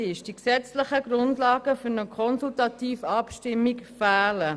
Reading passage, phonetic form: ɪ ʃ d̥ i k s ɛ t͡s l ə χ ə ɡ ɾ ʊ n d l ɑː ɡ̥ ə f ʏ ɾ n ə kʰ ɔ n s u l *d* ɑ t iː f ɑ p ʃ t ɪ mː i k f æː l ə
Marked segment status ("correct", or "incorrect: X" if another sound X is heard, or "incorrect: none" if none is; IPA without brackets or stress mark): incorrect: t